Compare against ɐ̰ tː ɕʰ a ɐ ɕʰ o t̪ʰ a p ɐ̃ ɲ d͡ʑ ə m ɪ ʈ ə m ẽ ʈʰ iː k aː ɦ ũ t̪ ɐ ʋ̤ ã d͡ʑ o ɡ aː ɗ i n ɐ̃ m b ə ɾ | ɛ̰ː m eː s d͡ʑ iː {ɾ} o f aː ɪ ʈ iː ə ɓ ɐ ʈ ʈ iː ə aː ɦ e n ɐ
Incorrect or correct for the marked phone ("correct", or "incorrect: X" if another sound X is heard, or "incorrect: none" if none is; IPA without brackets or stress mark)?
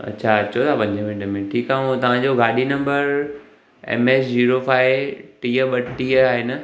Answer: correct